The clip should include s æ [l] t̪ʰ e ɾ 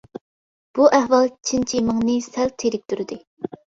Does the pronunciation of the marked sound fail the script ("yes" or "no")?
no